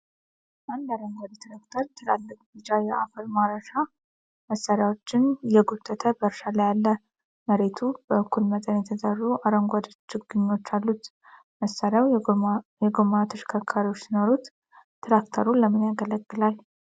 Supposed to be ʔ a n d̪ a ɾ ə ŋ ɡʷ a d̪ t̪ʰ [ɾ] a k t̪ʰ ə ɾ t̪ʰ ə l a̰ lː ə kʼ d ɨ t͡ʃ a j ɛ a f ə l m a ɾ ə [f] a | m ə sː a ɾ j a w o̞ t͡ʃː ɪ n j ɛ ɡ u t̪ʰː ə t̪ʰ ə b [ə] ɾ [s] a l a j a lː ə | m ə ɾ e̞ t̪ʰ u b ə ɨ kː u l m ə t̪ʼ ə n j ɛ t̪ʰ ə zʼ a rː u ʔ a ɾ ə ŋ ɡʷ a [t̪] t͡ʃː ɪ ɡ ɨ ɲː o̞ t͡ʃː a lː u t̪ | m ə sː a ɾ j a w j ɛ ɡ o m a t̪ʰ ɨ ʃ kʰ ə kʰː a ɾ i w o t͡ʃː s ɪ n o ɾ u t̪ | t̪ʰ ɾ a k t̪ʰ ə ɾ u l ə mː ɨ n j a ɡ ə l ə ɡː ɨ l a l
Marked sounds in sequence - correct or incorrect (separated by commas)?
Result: correct, incorrect, correct, incorrect, incorrect